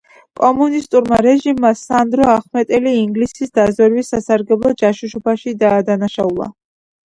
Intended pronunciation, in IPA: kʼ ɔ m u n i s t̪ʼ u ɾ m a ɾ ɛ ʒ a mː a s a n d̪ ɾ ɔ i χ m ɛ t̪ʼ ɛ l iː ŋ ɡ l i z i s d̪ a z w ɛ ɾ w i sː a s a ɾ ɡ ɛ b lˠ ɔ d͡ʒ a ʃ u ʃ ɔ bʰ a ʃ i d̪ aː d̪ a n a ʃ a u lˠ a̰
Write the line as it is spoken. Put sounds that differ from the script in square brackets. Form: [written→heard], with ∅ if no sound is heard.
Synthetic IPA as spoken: kʼ ɔ m u n i s t̪ʼ u ɾ m a ɾ ɛ ʒ [a→i] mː a s a n d̪ ɾ ɔ [i→a] χ m ɛ t̪ʼ ɛ l iː ŋ ɡ l i [z→s] i s d̪ a z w ɛ ɾ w i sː a s a ɾ ɡ ɛ b lˠ ɔ d͡ʒ a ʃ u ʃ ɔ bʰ a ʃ i d̪ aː d̪ a n a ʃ a u lˠ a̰